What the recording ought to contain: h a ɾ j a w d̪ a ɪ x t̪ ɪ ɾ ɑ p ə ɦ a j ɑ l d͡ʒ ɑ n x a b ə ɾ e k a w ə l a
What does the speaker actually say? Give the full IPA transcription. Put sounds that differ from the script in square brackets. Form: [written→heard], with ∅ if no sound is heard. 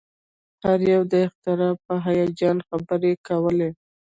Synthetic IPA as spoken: h a ɾ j a w d̪ [a→ə] ɪ x t̪ ɪ ɾ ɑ p ə ɦ a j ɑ [l→∅] d͡ʒ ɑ n x a b ə ɾ e k a w ə l [a→e]